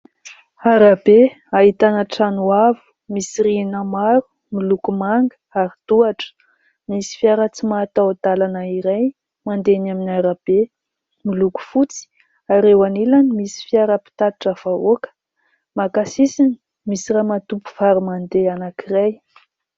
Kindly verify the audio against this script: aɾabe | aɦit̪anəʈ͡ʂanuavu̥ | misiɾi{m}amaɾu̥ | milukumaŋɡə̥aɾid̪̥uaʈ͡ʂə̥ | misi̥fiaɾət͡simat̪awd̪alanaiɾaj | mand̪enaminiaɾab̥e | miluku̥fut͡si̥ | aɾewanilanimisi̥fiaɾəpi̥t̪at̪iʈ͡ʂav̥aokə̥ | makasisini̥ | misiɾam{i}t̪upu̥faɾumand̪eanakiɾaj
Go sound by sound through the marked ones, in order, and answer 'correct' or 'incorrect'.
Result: incorrect: n, incorrect: a

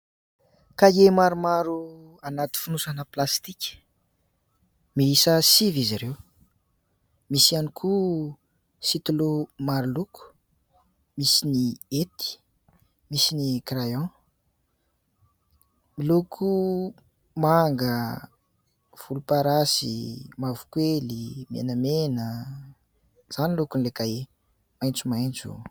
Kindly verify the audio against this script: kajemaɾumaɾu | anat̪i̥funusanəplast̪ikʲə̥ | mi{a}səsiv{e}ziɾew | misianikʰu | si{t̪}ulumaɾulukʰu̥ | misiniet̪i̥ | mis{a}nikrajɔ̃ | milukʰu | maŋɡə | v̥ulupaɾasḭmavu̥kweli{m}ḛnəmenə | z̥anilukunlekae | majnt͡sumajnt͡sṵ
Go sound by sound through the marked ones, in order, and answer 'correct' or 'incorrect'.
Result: incorrect: i, incorrect: i, correct, incorrect: i, correct

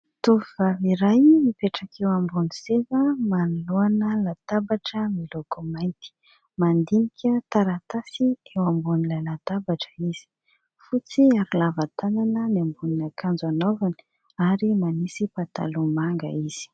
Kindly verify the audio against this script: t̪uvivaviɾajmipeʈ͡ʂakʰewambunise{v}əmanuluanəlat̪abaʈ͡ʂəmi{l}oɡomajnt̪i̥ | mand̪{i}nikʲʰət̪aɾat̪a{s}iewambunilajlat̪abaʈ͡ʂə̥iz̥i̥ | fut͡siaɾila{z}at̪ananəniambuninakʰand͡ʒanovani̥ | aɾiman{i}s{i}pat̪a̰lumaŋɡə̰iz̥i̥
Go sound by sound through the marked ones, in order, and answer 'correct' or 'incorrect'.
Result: correct, correct, correct, correct, incorrect: v, correct, correct

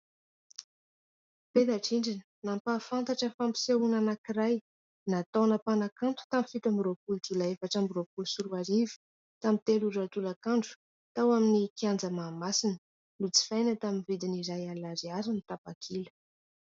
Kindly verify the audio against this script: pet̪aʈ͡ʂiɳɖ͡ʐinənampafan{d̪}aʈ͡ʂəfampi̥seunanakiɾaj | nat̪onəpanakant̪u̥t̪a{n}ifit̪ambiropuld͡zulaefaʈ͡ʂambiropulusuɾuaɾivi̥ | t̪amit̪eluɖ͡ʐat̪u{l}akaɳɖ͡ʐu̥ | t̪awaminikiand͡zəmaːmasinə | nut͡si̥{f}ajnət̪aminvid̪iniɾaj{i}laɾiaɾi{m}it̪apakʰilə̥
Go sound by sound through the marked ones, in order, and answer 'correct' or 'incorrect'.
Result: incorrect: t̪, incorrect: m, correct, correct, incorrect: a, incorrect: n

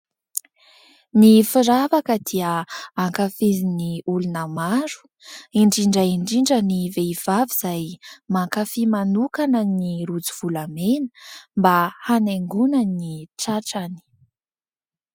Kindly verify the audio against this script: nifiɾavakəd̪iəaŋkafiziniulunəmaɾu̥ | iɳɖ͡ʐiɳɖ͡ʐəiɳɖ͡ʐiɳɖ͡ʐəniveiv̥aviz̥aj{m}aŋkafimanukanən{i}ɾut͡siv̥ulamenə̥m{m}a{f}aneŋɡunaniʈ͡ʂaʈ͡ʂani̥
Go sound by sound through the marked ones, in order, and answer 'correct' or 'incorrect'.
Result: correct, correct, incorrect: b, incorrect: h

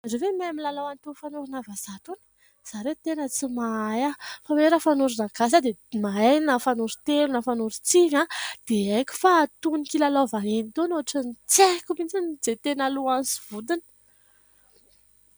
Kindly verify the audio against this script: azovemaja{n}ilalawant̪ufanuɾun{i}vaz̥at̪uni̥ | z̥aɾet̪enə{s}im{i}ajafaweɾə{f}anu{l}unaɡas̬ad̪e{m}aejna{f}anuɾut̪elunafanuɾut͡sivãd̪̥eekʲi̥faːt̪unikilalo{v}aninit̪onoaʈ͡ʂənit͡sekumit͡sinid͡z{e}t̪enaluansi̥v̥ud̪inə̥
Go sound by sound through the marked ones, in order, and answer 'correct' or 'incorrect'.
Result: incorrect: m, incorrect: a, incorrect: t͡s, incorrect: a, correct, incorrect: ɾ, correct, correct, correct, correct

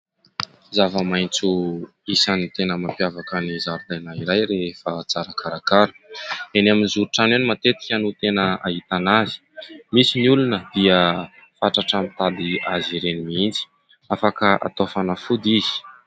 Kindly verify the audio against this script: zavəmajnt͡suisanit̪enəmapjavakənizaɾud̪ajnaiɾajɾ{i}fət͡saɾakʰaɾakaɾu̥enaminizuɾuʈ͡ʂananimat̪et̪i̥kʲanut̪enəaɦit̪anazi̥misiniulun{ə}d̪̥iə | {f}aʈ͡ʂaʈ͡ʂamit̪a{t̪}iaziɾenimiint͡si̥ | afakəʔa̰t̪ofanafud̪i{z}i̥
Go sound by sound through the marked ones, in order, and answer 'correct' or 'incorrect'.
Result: incorrect: e, correct, correct, incorrect: d̪, correct

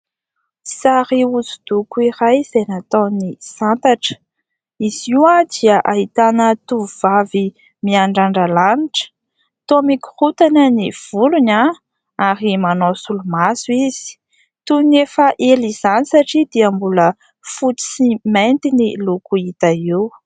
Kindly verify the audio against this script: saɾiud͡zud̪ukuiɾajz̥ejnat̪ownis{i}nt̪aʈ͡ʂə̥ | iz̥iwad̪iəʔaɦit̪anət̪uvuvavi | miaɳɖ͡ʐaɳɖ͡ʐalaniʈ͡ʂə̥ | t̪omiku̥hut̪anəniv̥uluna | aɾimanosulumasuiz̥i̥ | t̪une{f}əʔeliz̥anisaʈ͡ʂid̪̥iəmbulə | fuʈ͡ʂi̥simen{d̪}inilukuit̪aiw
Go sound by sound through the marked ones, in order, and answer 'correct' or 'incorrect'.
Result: incorrect: a, correct, incorrect: t̪

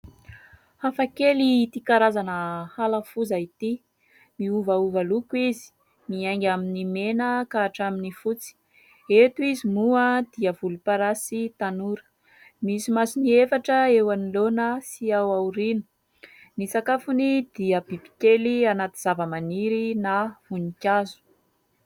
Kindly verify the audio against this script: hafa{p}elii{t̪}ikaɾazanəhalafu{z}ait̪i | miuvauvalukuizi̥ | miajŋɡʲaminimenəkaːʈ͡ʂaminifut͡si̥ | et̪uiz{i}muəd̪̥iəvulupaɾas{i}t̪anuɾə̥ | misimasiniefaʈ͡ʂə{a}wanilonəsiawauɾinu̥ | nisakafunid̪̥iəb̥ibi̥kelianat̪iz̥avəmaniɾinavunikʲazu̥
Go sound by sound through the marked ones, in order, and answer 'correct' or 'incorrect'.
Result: incorrect: k, correct, correct, correct, correct, incorrect: e

